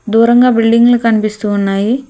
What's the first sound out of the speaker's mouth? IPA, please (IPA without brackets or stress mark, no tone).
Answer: d̪